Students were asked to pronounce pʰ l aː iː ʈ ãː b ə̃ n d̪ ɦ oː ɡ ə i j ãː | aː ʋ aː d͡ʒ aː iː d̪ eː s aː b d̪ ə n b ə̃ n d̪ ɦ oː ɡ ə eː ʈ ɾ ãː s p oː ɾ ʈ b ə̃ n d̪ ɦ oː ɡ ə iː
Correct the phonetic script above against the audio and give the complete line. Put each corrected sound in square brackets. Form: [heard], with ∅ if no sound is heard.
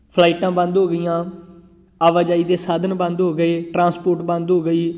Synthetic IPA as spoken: pʰ l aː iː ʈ ãː b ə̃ n d̪ ɦ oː ɡ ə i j ãː | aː ʋ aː d͡ʒ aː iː d̪ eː s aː [∅] d̪ ə n b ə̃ n d̪ ɦ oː ɡ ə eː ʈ ɾ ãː s p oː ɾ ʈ b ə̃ n d̪ ɦ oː ɡ ə iː